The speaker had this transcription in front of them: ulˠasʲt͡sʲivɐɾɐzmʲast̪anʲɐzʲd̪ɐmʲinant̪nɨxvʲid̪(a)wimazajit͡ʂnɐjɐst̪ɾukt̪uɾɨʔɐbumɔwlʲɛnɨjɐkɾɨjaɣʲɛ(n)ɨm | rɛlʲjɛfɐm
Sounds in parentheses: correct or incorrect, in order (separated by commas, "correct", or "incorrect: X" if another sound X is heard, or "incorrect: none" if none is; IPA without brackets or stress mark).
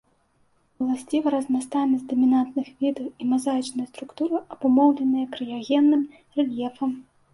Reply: incorrect: ɐ, incorrect: nː